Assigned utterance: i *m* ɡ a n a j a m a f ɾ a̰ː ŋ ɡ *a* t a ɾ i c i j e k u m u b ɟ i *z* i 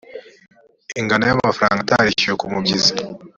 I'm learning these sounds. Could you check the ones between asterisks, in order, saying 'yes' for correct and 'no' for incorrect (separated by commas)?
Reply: no, yes, yes